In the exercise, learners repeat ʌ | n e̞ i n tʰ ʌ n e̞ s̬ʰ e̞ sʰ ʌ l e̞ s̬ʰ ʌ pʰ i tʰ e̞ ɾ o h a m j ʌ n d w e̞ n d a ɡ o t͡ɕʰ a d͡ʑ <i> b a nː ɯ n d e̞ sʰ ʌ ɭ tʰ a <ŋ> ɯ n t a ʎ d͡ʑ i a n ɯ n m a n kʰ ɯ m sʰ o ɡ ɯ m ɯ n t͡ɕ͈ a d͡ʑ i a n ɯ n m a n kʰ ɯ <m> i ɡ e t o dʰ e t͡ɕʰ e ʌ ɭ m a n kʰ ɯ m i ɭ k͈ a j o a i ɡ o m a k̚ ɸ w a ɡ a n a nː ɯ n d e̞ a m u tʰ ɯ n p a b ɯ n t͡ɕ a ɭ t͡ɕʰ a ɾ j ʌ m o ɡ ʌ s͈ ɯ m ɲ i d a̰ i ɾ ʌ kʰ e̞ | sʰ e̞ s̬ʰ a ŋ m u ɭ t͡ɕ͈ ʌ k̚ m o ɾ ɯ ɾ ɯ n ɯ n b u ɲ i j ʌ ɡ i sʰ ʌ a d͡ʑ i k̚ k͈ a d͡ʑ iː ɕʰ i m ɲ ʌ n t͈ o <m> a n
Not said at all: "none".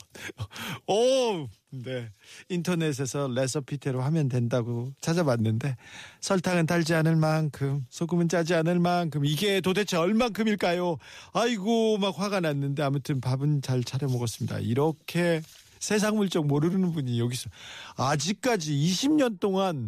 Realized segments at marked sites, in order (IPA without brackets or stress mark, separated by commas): a, ŋ, m, ŋ